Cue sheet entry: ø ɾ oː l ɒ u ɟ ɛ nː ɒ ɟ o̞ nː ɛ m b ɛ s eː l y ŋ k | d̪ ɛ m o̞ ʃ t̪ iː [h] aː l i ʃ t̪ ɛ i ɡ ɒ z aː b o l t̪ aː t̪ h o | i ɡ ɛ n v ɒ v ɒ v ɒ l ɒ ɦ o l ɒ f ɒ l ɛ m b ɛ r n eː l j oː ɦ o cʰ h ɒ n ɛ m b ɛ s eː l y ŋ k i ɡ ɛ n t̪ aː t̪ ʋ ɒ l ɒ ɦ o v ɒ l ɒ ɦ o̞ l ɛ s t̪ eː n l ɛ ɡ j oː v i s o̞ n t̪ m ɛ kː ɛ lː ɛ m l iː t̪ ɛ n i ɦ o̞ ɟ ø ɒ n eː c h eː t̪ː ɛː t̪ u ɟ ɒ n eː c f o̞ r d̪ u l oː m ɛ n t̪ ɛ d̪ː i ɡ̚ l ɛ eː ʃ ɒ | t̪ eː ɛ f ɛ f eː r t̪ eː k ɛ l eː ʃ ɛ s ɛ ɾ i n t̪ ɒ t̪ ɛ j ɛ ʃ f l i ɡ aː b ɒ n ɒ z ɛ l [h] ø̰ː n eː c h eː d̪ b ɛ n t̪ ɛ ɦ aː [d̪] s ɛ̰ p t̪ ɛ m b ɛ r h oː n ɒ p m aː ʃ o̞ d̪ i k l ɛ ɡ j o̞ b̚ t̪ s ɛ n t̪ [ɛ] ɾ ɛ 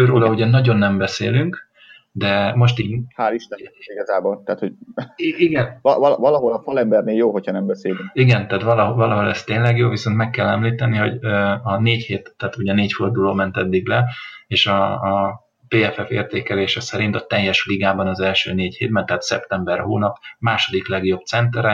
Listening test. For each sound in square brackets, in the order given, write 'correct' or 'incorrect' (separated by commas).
correct, incorrect, incorrect, correct